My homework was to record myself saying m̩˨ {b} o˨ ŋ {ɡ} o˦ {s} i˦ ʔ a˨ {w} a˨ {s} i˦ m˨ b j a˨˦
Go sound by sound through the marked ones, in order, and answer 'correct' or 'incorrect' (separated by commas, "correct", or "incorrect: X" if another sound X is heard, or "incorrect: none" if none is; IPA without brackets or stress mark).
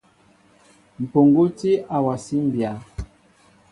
incorrect: p, correct, incorrect: t, correct, correct